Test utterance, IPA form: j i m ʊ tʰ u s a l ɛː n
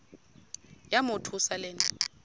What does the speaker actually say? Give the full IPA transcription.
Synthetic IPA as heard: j a m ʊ tʰ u s a l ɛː n